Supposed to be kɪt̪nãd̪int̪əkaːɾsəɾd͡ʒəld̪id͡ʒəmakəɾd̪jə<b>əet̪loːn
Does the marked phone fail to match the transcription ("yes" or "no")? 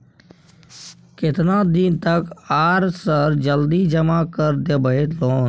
no